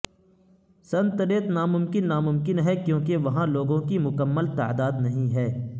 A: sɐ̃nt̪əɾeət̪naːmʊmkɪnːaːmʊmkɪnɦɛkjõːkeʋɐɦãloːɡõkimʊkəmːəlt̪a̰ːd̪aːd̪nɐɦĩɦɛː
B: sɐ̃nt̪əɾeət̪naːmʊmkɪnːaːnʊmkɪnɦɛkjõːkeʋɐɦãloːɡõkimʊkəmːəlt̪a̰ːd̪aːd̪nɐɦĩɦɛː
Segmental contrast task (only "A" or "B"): A